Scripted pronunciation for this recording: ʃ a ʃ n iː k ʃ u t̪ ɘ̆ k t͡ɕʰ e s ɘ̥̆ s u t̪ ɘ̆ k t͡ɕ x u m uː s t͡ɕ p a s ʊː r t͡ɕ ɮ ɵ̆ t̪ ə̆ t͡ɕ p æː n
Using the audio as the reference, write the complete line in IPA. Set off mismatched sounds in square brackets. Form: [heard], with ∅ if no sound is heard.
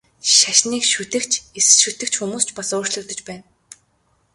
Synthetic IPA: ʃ a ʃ n iː k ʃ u t̪ ɘ̆ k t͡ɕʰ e s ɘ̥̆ [ʃ] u t̪ ɘ̆ k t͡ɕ x u m uː s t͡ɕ p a s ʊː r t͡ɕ ɮ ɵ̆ t̪ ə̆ t͡ɕ p æː n